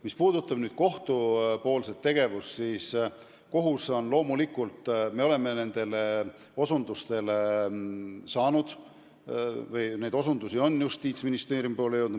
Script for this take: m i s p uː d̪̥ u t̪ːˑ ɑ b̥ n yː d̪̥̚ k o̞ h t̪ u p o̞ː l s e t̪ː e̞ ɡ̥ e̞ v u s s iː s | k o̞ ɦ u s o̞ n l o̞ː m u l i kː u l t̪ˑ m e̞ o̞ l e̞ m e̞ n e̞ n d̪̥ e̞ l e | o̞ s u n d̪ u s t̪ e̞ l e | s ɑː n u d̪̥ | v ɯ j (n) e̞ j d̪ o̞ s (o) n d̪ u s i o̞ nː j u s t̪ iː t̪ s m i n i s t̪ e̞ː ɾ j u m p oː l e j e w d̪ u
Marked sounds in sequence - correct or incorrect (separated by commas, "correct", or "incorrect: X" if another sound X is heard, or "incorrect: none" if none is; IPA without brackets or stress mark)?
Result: correct, incorrect: u